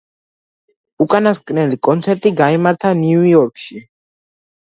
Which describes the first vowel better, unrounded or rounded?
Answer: rounded